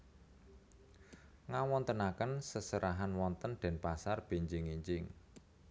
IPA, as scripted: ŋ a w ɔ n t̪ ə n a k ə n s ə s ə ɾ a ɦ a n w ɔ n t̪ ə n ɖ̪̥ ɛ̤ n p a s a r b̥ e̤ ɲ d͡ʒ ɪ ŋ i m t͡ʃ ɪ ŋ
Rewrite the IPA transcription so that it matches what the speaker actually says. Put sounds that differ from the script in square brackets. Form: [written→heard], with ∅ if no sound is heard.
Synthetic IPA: ŋ a w ɔ n t̪ ə n a k ə n s ə s ə ɾ a ɦ a n w ɔ n t̪ ə n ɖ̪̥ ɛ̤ n p a s a r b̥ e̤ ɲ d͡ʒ ɪ ŋ i [m→ɲ] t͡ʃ ɪ ŋ